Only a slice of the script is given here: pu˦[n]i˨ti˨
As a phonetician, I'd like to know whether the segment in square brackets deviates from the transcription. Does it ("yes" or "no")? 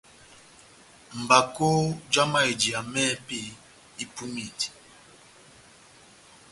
yes